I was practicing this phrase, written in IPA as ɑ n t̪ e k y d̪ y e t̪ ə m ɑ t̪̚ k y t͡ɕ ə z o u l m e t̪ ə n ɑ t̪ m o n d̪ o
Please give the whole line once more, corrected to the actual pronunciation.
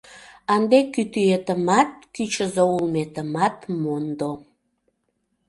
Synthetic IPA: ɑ n d̪ e k y t̪ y e t̪ ə m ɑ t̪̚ k y t͡ɕ ə z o u l m e t̪ ə m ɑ t̪ m o n d̪ o